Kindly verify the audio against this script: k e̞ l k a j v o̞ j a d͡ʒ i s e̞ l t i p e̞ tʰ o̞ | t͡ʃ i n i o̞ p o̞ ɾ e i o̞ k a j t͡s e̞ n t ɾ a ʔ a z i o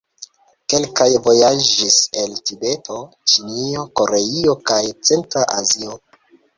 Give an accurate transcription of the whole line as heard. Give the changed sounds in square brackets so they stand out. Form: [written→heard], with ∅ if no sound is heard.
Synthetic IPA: k e̞ l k a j v o̞ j a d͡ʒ i s e̞ l t i [p→b] e̞ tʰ o̞ | t͡ʃ i n i o̞ [p→k] o̞ ɾ e i o̞ k a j t͡s e̞ n t ɾ a ʔ a z i o